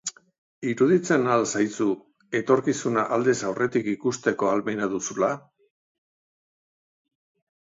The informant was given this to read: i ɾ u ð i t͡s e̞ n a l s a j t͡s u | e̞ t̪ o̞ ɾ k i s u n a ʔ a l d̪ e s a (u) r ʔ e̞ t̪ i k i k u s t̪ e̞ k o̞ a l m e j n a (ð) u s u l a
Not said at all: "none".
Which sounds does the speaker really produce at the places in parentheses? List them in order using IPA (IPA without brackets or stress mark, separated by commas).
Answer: w, ð